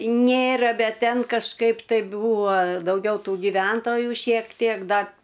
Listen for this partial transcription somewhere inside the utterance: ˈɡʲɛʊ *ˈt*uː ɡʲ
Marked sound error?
no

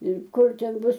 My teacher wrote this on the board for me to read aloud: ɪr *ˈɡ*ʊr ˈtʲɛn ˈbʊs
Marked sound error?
yes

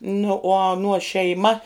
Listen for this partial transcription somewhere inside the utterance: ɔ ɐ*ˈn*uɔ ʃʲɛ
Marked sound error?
no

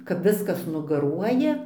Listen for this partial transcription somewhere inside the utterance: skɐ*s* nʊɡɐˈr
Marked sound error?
no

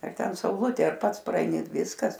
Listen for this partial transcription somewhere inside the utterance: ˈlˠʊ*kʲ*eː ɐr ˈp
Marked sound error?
yes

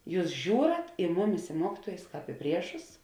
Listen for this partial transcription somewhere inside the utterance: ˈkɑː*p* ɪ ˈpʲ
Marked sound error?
no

